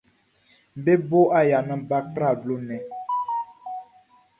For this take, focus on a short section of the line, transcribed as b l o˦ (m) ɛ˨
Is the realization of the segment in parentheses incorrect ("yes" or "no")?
yes